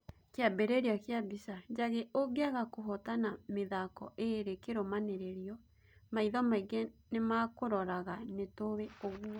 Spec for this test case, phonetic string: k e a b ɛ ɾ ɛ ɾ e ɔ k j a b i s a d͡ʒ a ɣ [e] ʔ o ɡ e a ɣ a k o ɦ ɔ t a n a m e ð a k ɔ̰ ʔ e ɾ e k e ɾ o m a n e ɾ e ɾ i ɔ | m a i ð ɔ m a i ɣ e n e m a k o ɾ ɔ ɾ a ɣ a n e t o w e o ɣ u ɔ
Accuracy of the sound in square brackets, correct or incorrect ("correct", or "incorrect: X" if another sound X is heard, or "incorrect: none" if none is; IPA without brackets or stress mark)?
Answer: correct